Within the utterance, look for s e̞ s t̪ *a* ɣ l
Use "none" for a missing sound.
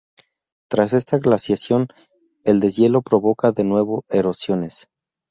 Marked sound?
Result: a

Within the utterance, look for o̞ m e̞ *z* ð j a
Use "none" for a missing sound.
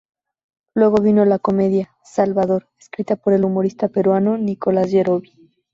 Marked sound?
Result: none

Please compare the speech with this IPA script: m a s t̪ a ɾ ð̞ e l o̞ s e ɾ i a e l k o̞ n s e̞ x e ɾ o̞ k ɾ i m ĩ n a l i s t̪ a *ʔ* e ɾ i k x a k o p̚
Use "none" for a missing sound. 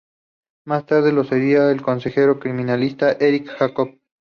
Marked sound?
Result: ʔ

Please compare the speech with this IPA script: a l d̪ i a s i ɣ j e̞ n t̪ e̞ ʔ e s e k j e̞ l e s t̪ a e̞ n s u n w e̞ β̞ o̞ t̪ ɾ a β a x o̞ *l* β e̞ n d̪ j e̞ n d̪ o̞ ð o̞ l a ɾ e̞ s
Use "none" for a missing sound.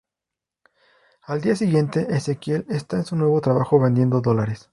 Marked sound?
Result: none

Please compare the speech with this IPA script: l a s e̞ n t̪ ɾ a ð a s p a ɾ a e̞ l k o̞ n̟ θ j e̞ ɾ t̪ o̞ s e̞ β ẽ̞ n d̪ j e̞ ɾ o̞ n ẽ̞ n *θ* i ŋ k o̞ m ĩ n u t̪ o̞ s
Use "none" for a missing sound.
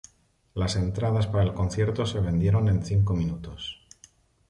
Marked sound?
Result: θ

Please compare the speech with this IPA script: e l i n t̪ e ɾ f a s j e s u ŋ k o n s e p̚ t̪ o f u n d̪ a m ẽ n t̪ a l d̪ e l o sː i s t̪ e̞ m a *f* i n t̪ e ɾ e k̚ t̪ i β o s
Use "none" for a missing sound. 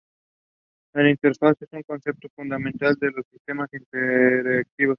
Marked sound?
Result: s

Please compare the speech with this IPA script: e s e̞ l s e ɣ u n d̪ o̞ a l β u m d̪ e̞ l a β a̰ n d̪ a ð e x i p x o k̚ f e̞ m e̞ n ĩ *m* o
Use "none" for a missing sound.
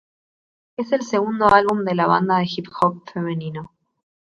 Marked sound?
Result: n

